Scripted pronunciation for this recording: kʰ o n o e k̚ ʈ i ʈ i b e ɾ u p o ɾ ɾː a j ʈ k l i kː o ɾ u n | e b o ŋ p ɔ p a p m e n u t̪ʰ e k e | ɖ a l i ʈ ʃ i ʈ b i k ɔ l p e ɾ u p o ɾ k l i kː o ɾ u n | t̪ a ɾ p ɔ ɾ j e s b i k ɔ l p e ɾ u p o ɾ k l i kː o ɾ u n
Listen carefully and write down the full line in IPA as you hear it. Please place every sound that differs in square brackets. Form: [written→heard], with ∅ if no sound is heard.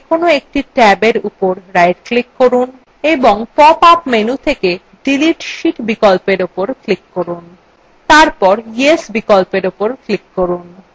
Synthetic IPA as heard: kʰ o n o e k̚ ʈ i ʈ [i→ɛ] b e ɾ u p o ɾ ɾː a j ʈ k l i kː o ɾ u n | e b o ŋ p ɔ p a p m e n u t̪ʰ e k e | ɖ [a→i] l i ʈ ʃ i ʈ b i k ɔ l p e ɾ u p o ɾ k l i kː o ɾ u n | t̪ a ɾ p ɔ ɾ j e s b i k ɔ l p e ɾ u p o ɾ k l i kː o ɾ u n